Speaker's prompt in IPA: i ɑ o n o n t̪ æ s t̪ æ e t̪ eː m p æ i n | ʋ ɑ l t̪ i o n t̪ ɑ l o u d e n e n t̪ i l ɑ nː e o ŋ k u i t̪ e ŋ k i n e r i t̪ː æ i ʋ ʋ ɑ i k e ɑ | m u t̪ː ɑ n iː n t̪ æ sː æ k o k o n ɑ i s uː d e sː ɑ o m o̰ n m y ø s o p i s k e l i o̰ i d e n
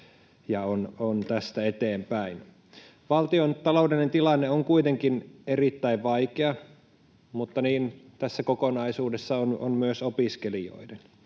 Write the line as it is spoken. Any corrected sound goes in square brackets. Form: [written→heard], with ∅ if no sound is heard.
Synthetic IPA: [i→j] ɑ o n o n t̪ æ s t̪ æ e t̪ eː m p æ i n | ʋ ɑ l t̪ i o n t̪ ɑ l o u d e n e n t̪ i l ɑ nː e o ŋ k u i t̪ e ŋ k i n e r i t̪ː æ i ʋ ʋ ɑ i k e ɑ | m u t̪ː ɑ n iː n t̪ æ sː æ k o k o n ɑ i s uː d e sː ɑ o [m→n] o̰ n m y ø s o p i s k e l i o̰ i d e n